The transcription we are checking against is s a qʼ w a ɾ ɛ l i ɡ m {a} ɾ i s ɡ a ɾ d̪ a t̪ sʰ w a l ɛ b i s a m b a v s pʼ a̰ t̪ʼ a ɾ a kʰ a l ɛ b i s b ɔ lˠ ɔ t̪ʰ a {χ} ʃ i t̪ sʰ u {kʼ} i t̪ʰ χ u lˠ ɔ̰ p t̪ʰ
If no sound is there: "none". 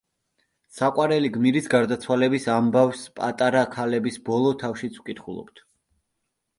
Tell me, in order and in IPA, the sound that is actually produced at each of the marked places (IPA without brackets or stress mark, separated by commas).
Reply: i, f, kʼ